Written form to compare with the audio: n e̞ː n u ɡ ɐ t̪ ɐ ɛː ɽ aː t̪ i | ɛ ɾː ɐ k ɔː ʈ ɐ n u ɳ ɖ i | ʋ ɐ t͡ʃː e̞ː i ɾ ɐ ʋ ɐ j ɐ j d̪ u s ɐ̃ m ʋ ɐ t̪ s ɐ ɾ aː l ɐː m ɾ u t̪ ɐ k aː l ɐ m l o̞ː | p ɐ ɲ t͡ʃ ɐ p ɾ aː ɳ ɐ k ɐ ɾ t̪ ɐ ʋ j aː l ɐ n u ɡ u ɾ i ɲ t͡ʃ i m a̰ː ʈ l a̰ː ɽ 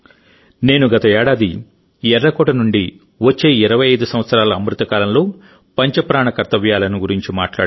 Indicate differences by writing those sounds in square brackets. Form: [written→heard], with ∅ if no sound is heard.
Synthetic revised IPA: n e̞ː n u ɡ ɐ t̪ ɐ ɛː ɽ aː [t̪→d̪] i | ɛ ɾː ɐ k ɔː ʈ ɐ n u ɳ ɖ i | ʋ ɐ t͡ʃː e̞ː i ɾ ɐ ʋ ɐ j ɐ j d̪ u s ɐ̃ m ʋ ɐ t̪ s ɐ ɾ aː l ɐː m ɾ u t̪ ɐ k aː l ɐ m l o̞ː | p ɐ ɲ t͡ʃ ɐ p ɾ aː ɳ ɐ k ɐ ɾ t̪ ɐ ʋ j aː l ɐ n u ɡ u ɾ i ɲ t͡ʃ i m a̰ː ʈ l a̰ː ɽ